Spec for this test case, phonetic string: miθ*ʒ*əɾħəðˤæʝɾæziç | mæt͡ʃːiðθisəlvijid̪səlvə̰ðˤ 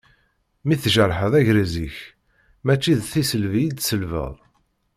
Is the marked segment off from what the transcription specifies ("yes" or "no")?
no